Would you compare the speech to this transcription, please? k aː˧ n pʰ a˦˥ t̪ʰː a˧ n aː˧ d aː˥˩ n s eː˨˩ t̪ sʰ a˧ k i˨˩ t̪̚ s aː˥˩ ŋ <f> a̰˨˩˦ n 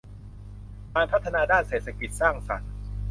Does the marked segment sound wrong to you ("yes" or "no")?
yes